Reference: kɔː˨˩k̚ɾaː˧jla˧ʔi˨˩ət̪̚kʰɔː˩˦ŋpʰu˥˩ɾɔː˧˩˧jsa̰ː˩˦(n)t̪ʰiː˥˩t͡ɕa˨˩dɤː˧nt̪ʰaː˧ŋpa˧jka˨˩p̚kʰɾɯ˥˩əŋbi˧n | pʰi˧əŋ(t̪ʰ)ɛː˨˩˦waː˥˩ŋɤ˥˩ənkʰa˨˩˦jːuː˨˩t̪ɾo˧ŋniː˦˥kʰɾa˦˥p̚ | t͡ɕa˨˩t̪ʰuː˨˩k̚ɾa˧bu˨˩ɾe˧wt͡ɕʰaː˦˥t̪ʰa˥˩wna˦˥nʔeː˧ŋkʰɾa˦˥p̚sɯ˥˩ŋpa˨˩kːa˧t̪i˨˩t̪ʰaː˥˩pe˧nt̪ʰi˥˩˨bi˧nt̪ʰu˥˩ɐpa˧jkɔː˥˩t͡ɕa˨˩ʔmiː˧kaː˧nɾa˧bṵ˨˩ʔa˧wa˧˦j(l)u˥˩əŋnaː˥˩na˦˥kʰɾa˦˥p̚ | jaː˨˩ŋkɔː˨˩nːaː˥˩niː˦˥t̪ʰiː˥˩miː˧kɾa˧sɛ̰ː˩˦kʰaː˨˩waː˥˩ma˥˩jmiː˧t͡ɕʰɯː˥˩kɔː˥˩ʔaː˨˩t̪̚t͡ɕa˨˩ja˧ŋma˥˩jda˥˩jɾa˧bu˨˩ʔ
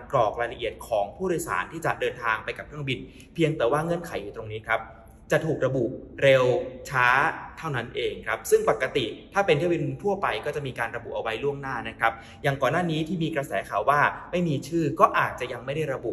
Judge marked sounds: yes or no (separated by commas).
yes, no, yes